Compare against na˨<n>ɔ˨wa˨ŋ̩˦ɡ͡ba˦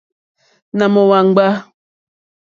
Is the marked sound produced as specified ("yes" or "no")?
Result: no